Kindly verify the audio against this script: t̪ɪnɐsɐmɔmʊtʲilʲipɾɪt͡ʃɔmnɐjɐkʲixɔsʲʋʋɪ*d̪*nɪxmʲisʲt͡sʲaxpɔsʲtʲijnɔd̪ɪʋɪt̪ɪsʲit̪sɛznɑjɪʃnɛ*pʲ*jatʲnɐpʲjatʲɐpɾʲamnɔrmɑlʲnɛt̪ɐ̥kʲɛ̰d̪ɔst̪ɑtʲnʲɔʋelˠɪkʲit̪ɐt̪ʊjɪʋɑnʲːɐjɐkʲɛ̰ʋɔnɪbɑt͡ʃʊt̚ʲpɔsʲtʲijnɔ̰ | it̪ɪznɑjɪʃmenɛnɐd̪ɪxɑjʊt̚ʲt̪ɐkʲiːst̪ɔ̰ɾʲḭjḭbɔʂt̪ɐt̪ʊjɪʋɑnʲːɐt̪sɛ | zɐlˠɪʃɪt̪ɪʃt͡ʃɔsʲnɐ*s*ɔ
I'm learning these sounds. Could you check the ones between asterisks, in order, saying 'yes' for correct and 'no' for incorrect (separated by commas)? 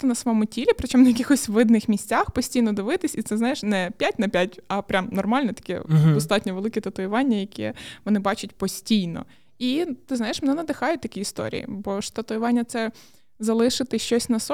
yes, yes, yes